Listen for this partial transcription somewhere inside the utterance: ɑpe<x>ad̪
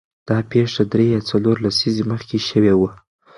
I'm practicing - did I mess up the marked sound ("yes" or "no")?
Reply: yes